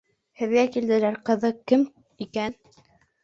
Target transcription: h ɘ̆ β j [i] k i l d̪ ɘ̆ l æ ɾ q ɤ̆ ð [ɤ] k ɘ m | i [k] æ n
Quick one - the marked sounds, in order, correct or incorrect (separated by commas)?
incorrect, correct, correct